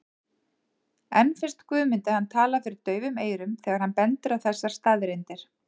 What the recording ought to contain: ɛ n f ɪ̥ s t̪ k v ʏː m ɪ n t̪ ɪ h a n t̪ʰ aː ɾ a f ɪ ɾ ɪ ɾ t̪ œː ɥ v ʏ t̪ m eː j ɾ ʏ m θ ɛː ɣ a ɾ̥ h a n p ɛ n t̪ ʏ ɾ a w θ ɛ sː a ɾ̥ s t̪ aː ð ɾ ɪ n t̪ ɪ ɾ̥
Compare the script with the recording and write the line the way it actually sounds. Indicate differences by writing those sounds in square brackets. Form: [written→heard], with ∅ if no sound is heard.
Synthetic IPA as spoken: ɛ n f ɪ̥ s t̪ k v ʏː m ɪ n t̪ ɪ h a n t̪ʰ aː [ɾ→l] a f ɪ ɾ ɪ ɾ t̪ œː ɥ v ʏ [t̪→∅] m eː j ɾ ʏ m θ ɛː ɣ a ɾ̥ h a n p ɛ n t̪ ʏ ɾ a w θ ɛ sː a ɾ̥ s t̪ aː ð ɾ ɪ n t̪ ɪ ɾ̥